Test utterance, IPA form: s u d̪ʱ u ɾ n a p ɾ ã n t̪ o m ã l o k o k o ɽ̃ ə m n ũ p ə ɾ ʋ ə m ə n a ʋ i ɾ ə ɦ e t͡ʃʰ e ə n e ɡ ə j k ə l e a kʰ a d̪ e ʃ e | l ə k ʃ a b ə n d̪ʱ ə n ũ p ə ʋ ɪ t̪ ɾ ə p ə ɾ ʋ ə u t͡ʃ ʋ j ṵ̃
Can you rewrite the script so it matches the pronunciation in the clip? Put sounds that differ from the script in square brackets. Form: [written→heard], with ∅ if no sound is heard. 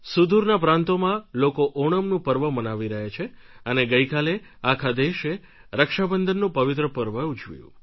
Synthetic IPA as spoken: s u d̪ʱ u ɾ n a p ɾ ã n t̪ o m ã l o k o [k→ʔ] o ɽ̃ ə m n ũ p ə ɾ ʋ ə m ə n a ʋ i ɾ ə ɦ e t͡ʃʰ e ə n e ɡ ə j k [ə→a] l e a kʰ a d̪ e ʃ e | [l→ɾ] ə k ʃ a b ə n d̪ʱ ə [n→nː] ũ p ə ʋ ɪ t̪ ɾ ə p ə ɾ ʋ ə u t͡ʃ ʋ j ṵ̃